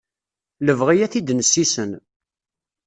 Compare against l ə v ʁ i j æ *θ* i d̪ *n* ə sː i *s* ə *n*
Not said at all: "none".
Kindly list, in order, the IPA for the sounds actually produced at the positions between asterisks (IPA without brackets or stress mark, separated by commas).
θ, n, s, n